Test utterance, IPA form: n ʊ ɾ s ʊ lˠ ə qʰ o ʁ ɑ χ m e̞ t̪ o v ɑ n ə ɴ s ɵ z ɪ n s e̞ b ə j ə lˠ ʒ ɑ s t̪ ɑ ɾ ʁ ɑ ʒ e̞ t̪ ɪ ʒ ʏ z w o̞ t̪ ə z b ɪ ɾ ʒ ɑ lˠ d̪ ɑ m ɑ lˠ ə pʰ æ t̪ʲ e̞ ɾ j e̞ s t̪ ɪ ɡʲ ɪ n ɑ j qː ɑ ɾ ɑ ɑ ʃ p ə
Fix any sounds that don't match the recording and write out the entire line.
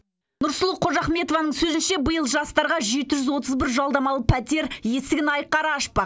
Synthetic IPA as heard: n ʊ ɾ s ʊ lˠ ə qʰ o ʒ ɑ χ m e̞ t̪ o v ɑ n ə ɴ s ɵ z ɪ n ʃ e̞ b ə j ə lˠ ʒ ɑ s t̪ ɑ ɾ ʁ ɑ ʒ e̞ t̪ ɪ ʒ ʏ z w o̞ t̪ ə z b ɪ ɾ ʒ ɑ lˠ d̪ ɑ m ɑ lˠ ə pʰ æ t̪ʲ e̞ ɾ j e̞ s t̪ ɪ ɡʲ ɪ n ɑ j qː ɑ ɾ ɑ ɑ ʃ p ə